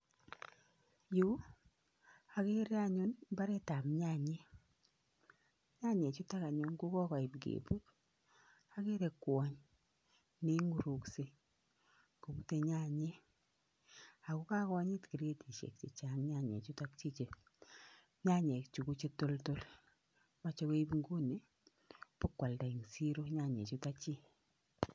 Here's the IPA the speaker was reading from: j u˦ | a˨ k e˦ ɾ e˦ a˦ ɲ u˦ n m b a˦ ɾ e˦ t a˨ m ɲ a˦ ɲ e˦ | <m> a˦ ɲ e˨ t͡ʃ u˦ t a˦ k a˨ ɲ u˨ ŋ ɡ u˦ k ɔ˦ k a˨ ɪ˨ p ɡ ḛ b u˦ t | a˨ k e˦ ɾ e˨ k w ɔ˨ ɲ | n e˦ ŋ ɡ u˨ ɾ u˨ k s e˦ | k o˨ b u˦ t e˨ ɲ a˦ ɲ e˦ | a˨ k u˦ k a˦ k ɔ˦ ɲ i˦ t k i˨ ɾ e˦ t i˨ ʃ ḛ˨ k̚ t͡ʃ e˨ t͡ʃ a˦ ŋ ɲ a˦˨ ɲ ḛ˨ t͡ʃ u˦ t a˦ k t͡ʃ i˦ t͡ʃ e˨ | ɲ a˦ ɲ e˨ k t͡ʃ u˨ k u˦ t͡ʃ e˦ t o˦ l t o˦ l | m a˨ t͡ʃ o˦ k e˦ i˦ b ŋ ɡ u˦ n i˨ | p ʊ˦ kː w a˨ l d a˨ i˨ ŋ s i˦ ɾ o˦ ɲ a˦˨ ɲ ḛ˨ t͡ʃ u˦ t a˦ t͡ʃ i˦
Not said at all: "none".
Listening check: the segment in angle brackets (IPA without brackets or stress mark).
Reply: ɲ